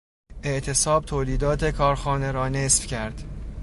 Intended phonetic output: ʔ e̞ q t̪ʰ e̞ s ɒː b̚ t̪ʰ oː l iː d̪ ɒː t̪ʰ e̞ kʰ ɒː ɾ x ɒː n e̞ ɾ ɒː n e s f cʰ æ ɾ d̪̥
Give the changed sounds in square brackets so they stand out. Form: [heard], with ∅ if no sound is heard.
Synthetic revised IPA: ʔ e̞ [ʔ] t̪ʰ e̞ s ɒː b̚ t̪ʰ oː l iː d̪ ɒː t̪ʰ e̞ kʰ ɒː ɾ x ɒː n e̞ ɾ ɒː n e s f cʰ æ ɾ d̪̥